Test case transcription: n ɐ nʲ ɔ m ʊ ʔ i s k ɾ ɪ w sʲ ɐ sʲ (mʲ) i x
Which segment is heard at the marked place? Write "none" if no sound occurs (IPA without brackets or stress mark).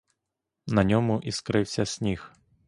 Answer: nʲ